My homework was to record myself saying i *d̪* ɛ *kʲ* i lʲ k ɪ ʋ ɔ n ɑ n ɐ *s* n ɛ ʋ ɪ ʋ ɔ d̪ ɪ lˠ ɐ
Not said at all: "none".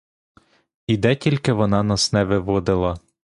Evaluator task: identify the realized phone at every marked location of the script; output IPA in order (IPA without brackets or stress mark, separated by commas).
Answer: d̪, tʲ, s